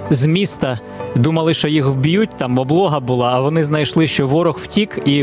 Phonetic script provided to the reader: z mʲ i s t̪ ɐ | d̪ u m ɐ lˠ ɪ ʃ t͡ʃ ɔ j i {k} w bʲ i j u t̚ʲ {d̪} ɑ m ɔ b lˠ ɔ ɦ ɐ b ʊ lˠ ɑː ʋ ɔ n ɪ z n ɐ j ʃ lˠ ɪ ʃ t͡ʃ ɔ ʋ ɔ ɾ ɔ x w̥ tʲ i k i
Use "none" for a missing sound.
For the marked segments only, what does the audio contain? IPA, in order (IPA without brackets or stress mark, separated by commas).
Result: x, t̪